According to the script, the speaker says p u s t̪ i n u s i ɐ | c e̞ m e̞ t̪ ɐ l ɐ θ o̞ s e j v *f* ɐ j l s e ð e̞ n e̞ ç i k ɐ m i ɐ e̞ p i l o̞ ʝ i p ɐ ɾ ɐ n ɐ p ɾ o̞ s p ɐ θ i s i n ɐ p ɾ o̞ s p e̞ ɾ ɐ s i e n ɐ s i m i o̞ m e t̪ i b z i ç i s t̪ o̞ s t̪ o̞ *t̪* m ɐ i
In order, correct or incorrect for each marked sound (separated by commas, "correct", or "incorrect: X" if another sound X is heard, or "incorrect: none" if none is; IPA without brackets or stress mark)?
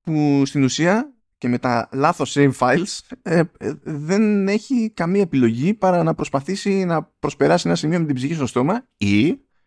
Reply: correct, incorrect: none